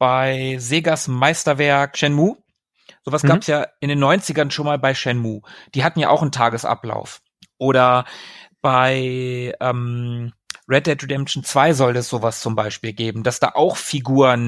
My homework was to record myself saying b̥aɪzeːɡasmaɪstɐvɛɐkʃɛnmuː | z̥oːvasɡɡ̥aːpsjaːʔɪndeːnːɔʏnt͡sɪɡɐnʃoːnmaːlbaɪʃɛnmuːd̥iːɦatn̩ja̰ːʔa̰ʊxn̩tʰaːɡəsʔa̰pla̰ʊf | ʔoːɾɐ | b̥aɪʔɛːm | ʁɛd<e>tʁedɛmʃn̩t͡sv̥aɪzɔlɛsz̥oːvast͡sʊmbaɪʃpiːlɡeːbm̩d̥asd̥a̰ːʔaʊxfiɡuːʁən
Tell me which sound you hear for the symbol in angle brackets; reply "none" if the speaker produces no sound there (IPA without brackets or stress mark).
ɛ